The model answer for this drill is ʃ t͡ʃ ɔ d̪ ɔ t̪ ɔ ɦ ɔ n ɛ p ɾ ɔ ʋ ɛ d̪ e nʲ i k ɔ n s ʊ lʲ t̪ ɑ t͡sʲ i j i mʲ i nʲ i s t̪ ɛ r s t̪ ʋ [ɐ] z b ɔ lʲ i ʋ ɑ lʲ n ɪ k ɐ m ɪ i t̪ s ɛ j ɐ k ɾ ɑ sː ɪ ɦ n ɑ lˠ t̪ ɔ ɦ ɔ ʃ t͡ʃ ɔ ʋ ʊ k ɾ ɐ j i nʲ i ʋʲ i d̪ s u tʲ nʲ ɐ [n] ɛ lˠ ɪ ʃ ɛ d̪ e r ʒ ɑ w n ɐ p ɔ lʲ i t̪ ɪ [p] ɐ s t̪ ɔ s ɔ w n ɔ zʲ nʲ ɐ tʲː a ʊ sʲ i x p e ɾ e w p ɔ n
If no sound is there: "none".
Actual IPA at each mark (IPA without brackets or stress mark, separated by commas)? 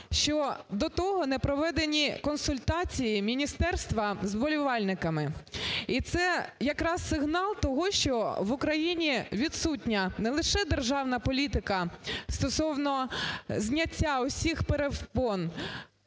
ɐ, n, k